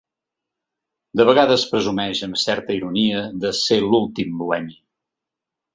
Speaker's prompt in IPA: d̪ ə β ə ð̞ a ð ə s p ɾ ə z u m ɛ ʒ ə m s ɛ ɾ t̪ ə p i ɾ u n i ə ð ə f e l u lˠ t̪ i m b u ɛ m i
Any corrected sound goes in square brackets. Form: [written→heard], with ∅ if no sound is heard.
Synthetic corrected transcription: d̪ ə β ə [ð̞→ɣ̞] a ð ə s p ɾ ə z u m ɛ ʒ ə m s ɛ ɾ t̪ ə [p→∅] i ɾ u n i ə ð ə [f→s] e l u lˠ t̪ i m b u ɛ m i